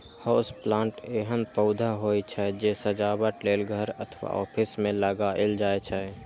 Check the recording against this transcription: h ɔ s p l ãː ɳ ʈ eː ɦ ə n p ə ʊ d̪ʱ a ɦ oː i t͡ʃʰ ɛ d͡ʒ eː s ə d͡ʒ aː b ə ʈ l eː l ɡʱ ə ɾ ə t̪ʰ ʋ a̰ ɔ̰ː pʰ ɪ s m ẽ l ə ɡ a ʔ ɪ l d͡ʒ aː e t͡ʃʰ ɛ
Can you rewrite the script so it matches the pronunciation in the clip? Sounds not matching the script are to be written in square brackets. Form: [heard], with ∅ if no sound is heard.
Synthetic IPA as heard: h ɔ s p l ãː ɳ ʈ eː ɦ ə n p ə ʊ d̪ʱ a ɦ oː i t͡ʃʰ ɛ d͡ʒ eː s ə d͡ʒ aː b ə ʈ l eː l ɡʱ ə ɾ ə t̪ʰ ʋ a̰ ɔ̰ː pʰ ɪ s m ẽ l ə ɡ a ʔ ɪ l d͡ʒ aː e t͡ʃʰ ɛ